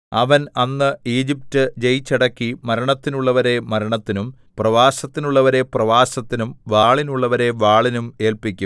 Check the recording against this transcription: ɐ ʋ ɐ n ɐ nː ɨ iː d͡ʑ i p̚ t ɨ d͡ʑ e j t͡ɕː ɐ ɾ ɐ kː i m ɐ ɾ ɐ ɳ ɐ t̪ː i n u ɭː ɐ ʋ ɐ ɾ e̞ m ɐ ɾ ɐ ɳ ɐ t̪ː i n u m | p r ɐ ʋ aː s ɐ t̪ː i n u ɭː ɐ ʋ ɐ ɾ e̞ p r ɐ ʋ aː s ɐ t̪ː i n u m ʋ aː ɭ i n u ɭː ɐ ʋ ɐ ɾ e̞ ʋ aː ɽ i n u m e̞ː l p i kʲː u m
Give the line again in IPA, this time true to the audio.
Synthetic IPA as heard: ɐ ʋ ɐ n ɐ nː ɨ iː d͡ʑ i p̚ t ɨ d͡ʑ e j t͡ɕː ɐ ɽ ɐ kː i m ɐ ɾ ɐ ɳ ɐ t̪ː i n u ɭː ɐ ʋ ɐ ɾ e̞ m ɐ ɾ ɐ ɳ ɐ t̪ː i n u m | p r ɐ ʋ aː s ɐ t̪ː i n u ɭː ɐ ʋ ɐ ɾ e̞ p r ɐ ʋ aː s ɐ t̪ː i n u m ʋ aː ɭ i n u ɭː ɐ ʋ ɐ ɾ e̞ ʋ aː ɭ i n u m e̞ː l p i kʲː u m